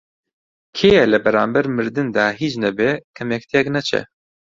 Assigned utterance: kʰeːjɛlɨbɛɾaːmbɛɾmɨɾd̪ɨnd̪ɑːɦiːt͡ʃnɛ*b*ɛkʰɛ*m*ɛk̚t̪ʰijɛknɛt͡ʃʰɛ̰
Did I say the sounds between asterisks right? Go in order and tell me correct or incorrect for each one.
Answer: correct, correct

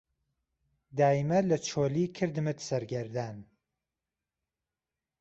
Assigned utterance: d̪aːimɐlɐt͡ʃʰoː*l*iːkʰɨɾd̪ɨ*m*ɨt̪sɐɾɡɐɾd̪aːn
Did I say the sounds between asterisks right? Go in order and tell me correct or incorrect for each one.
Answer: correct, correct

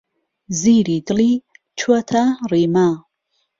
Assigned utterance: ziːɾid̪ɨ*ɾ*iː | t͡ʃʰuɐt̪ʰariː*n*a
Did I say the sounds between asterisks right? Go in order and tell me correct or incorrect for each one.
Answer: incorrect, incorrect

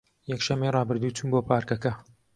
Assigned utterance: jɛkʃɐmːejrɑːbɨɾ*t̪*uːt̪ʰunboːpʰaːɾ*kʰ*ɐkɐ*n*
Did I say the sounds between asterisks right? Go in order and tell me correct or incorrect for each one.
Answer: incorrect, incorrect, incorrect

